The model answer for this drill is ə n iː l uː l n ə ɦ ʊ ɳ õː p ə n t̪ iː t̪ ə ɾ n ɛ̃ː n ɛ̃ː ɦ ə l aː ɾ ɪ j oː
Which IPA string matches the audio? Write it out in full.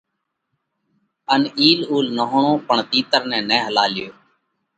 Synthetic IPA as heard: ə n iː l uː l n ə ɦ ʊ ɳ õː p ə ɳ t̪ iː t̪ ə ɾ n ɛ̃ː n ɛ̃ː ɦ ə l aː l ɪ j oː